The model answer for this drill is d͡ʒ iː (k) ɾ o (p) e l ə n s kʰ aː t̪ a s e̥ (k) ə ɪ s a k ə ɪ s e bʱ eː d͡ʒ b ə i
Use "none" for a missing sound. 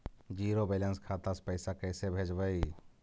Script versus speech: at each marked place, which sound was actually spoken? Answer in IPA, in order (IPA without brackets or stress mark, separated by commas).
none, b, p